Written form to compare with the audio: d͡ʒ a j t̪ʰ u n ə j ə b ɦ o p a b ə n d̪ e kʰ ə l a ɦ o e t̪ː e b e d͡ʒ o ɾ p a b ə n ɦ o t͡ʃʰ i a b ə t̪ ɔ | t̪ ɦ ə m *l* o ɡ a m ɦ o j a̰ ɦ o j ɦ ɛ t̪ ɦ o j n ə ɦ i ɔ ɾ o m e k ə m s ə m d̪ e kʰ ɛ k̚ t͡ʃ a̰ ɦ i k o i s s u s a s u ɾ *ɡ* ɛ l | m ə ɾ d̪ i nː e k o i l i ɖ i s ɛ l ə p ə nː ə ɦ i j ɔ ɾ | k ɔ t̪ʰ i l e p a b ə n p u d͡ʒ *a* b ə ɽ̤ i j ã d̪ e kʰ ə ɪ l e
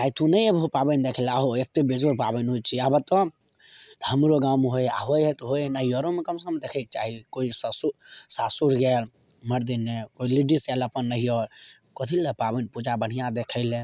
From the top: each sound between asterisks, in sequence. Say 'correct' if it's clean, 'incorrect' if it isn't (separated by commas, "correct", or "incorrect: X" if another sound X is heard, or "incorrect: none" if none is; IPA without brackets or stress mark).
incorrect: ɾ, correct, correct